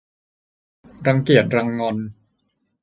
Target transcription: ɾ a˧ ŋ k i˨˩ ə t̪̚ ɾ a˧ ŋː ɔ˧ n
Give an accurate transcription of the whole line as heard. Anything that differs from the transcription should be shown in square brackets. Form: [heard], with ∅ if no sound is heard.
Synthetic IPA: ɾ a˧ ŋ k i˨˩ ə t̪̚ ɾ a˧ ŋː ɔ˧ n